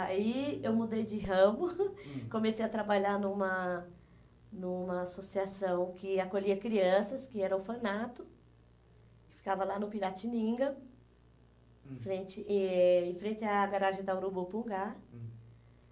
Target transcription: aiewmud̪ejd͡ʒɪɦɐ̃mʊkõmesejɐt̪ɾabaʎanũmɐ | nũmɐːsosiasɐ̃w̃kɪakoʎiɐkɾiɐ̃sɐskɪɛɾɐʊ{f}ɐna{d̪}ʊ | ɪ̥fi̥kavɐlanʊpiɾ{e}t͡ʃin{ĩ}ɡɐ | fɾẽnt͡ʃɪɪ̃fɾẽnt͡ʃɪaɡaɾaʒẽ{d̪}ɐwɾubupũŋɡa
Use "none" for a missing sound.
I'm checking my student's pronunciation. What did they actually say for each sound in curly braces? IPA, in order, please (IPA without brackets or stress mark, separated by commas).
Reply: f, t̪, a, ĩ, d̪